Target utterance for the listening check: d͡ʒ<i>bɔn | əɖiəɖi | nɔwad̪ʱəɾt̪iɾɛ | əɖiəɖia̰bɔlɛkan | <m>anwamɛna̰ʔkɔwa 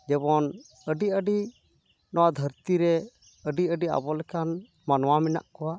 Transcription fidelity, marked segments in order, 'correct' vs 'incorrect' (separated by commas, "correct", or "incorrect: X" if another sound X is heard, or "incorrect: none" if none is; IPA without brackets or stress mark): incorrect: ɛ, correct